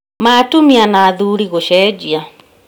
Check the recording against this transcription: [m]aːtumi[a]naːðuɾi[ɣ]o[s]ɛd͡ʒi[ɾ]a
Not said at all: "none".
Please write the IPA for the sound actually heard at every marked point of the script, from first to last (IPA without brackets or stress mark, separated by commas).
m, a, ɣ, ʃ, none